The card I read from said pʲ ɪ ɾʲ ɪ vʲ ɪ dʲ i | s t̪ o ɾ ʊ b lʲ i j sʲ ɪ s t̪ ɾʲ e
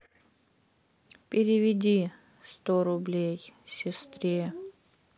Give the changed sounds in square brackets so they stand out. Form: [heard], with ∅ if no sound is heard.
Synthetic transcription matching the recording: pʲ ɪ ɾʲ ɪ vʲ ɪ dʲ i | s t̪ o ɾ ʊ b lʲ [e] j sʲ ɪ s t̪ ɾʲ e